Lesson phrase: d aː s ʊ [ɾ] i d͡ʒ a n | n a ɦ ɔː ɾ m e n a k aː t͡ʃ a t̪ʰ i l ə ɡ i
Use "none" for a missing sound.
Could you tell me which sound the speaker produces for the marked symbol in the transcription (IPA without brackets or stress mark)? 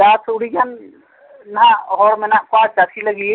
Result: ɽ